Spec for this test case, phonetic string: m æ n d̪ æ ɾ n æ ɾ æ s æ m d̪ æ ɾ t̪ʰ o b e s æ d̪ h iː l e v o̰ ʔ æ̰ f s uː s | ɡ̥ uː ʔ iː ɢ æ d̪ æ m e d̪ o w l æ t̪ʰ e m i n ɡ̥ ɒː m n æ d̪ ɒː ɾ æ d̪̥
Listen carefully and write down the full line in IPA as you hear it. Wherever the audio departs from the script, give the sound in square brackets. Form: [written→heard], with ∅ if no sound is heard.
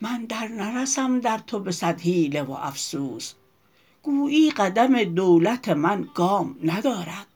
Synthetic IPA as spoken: m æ n d̪ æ ɾ n æ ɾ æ s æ m d̪ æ ɾ t̪ʰ o b e s æ d̪ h iː l e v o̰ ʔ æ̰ f s uː s | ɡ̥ uː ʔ iː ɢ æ d̪ æ m e d̪ o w l æ t̪ʰ e m [i→æ] n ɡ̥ ɒː m n æ d̪ ɒː ɾ æ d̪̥